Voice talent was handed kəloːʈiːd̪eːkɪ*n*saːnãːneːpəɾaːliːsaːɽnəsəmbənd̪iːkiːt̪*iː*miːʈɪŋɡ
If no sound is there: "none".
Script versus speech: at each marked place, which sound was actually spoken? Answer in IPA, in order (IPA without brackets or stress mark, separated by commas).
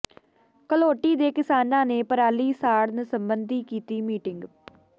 none, iː